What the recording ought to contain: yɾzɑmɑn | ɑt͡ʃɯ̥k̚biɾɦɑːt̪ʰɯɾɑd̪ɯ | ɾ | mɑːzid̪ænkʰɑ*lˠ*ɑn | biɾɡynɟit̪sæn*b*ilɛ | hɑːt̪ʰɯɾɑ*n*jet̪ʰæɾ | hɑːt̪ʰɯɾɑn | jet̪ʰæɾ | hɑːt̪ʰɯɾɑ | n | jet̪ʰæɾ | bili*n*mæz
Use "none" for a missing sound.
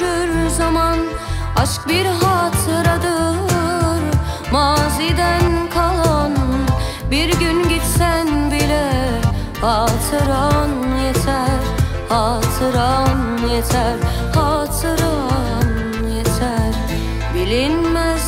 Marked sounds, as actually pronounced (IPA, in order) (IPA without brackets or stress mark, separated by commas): lˠ, b, n, n